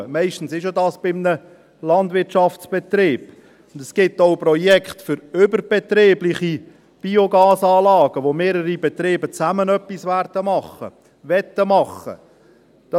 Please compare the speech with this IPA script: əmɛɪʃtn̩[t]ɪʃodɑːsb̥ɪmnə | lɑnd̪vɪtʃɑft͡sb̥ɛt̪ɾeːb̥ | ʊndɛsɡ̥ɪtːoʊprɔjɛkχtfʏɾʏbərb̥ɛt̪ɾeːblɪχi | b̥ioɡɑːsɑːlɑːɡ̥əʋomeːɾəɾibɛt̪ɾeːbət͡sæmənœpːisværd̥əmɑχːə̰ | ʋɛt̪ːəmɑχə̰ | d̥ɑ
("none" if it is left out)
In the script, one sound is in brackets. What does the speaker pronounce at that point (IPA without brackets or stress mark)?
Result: s